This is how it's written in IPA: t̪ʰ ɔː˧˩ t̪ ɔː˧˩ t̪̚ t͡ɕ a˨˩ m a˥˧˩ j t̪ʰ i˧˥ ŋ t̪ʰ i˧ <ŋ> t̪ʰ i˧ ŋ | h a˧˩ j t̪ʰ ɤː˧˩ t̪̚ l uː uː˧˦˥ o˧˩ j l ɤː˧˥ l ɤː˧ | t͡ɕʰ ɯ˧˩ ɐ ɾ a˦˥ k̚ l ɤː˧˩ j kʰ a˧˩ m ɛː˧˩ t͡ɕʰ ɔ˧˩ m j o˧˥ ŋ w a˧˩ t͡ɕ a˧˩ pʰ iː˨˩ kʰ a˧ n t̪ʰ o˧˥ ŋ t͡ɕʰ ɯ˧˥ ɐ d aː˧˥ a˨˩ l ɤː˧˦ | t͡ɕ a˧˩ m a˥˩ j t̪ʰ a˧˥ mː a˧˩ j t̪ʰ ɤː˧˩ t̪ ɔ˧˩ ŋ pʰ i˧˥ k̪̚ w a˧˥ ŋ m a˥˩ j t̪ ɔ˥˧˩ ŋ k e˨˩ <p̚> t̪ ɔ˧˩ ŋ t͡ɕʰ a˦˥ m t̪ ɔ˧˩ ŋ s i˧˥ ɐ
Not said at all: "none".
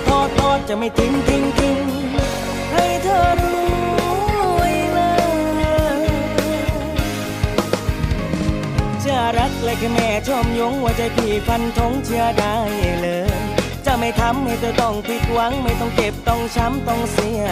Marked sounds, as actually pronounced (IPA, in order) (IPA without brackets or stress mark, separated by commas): ŋ, p̚